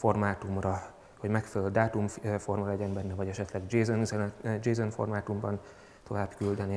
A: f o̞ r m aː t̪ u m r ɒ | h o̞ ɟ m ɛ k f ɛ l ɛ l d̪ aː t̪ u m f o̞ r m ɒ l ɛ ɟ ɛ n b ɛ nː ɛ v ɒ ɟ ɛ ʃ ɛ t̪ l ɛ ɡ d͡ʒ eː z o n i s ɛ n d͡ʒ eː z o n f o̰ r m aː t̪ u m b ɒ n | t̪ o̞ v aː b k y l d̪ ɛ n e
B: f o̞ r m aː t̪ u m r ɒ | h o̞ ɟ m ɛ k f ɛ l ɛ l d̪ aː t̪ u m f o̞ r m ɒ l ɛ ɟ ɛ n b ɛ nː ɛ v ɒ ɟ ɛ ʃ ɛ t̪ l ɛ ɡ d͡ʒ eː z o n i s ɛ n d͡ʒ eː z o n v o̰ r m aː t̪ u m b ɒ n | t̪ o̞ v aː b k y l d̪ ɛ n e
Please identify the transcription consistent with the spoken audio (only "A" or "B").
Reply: A